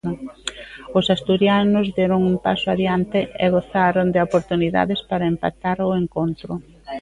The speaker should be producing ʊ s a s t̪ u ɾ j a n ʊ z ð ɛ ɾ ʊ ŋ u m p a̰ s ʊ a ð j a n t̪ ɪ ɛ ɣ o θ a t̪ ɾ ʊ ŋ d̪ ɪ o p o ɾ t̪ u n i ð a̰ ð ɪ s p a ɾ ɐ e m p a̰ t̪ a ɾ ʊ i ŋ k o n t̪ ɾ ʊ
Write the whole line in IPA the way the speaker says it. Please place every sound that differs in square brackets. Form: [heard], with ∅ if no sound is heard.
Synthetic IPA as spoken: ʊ s a s t̪ u ɾ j a n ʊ z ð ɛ ɾ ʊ ŋ u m p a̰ s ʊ a ð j a n t̪ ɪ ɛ ɣ o θ a [∅] ɾ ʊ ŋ d̪ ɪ o p o ɾ t̪ u n i ð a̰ ð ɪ s p a ɾ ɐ e m p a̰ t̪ a ɾ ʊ [e] ŋ k o n t̪ ɾ ʊ